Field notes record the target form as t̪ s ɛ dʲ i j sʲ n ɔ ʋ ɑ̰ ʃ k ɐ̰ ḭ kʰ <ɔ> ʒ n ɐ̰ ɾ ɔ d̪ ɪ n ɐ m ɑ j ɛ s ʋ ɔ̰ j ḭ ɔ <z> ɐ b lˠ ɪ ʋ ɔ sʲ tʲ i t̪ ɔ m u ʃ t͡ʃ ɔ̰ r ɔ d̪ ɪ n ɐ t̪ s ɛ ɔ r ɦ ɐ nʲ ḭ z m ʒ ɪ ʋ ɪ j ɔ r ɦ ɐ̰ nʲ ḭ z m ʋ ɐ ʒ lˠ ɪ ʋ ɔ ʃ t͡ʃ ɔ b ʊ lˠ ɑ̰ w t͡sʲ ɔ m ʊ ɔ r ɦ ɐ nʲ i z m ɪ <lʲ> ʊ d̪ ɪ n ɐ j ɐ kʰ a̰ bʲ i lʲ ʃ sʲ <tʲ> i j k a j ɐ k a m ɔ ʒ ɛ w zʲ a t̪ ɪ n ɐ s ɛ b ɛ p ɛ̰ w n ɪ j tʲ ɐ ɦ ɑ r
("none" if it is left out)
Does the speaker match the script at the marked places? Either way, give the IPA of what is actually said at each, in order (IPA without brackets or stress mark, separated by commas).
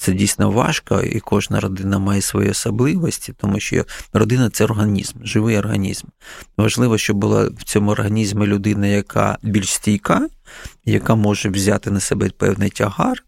ɔ, s, lʲ, tʲ